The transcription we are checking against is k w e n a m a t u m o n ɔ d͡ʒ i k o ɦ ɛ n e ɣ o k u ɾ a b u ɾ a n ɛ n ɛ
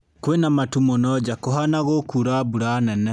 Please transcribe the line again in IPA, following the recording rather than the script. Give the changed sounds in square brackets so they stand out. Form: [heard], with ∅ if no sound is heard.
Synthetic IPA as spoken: k w e n a m a t u m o n ɔ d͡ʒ [a] k o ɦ [a] n [a] ɣ o k u ɾ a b u ɾ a n ɛ n ɛ

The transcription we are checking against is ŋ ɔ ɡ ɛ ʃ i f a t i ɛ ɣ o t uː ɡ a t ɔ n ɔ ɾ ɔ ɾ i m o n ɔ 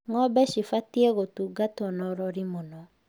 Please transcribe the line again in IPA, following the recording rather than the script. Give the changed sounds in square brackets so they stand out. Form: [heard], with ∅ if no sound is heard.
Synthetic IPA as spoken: ŋ ɔ [b] ɛ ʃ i f a t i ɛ ɣ o t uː ɡ a t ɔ n ɔ ɾ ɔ ɾ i m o n ɔ

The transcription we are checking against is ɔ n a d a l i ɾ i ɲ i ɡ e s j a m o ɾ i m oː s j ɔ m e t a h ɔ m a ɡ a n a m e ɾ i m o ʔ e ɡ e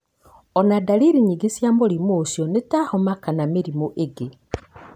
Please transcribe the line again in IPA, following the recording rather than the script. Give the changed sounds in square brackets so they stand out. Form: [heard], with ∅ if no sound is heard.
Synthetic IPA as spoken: ɔ n a d a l i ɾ i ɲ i ɡ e s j a m o ɾ i m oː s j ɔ [n] e t a h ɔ m a [k] a n a m e ɾ i m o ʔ e ɡ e

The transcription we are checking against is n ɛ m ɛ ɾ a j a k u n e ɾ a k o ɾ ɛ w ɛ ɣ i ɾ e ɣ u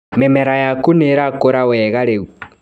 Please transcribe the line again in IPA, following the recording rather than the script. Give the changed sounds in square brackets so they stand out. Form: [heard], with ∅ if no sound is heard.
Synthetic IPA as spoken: [m] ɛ m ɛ ɾ a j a k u n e ɾ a k o ɾ [a] w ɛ ɣ [a] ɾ e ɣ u

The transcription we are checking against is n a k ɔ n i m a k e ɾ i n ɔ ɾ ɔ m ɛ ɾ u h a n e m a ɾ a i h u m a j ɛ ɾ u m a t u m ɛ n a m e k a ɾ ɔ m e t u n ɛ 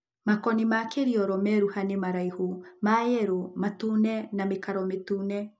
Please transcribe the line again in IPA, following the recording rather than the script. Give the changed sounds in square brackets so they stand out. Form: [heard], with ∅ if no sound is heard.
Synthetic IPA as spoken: [m] a k ɔ n i m a k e ɾ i [∅] ɔ ɾ ɔ m ɛ ɾ u h a n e m a ɾ a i h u m a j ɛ ɾ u m a t u [n] ɛ n a m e k a ɾ ɔ m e t u n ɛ

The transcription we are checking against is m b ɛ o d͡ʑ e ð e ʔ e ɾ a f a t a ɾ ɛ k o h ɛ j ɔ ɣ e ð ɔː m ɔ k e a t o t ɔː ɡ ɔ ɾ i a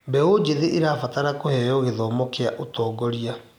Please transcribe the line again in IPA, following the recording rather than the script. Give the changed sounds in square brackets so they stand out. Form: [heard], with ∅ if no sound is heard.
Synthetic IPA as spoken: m b ɛ o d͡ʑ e ð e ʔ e ɾ a f a t a ɾ [a] k o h ɛ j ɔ ɣ e ð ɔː m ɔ k e a [ʔ] o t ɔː ɡ ɔ ɾ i a

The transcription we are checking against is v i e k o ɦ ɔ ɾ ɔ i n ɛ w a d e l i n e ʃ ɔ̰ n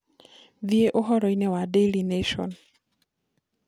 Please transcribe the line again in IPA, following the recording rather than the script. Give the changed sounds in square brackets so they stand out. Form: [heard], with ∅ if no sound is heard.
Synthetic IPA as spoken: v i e [ʔ] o ɦ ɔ ɾ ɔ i n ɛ w a d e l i n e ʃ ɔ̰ n

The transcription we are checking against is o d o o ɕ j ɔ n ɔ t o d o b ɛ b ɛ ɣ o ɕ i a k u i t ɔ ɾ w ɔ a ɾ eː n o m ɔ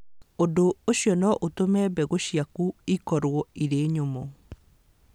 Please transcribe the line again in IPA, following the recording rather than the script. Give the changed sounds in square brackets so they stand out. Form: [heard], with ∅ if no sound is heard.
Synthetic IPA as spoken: o d o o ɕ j ɔ n ɔ [ʔ] o [t] o [m] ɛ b ɛ ɣ o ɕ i a k u i [k] ɔ ɾ w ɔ [i] ɾ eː [ɲ] o m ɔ

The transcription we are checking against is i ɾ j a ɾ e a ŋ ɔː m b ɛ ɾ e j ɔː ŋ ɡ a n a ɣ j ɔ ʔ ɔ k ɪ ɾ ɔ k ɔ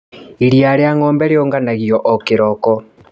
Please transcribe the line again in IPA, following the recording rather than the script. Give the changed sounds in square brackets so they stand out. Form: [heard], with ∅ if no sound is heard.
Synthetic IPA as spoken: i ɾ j a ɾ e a ŋ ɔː m b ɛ ɾ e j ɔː ŋ ɡ a n a ɣ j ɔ ʔ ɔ k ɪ ɾ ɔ k ɔ

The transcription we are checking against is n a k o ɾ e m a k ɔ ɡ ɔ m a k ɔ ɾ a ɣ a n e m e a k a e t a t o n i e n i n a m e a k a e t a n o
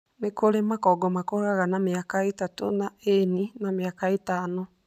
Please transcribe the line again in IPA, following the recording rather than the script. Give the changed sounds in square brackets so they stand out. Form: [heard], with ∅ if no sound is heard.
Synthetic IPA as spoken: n [e] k o ɾ e m a k ɔ ɡ ɔ m a k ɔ ɾ a ɣ a n [a] m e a k a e t a t o n [a] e n i n a m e a k a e t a n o

